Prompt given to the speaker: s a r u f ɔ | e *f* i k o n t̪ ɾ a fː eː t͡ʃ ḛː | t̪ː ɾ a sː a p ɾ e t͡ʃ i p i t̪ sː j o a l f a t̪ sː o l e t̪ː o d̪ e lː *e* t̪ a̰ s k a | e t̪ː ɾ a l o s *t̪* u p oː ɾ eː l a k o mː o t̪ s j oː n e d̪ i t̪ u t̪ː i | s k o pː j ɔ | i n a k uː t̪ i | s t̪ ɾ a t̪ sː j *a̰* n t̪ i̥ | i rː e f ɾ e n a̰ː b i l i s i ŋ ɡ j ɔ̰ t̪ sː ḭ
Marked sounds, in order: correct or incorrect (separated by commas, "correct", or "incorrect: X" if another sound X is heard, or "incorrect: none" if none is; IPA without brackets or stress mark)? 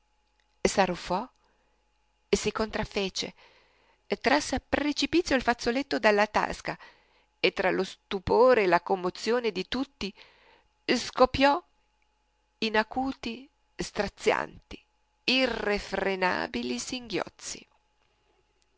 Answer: incorrect: s, incorrect: a, correct, correct